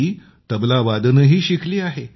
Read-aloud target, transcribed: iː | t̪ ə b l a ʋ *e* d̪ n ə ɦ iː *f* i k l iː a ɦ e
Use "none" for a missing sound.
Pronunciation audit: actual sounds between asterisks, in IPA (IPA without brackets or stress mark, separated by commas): a, ɕ